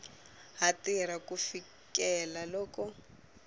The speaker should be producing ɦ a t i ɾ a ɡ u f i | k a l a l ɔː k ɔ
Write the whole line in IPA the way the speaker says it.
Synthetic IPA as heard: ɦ a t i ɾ a k u f i | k ɛ l a l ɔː k ɔ